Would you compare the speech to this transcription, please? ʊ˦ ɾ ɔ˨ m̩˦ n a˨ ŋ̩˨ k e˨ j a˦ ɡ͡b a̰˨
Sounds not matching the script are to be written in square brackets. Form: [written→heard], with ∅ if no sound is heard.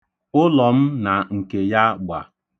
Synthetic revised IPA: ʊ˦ [ɾ→l] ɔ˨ m̩˦ n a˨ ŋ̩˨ k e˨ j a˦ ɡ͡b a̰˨